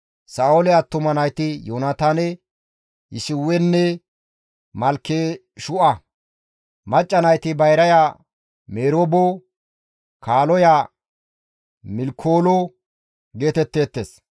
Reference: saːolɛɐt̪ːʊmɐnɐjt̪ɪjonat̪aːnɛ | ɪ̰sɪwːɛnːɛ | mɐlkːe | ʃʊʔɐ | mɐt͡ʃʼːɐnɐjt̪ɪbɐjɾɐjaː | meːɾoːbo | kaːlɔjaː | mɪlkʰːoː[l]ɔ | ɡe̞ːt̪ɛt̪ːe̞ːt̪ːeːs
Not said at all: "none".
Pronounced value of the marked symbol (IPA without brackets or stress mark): l